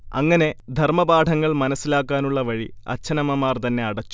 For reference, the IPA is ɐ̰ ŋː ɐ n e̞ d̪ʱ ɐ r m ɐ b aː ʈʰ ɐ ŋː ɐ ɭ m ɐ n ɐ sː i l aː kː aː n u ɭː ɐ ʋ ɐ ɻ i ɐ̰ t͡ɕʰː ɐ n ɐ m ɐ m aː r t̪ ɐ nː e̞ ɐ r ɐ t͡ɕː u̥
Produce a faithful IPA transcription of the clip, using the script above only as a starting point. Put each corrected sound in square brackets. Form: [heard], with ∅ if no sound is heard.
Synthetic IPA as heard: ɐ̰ ŋː ɐ n e̞ d̪ʱ ɐ r m ɐ b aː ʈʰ ɐ ŋː ɐ ɭ m ɐ n ɐ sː i l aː kː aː n u ɭː ɐ ʋ ɐ ɻ i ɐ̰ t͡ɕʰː ɐ n ɐ m ɐ m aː r t̪ ɐ nː e̞ ɐ [ɽ] ɐ t͡ɕː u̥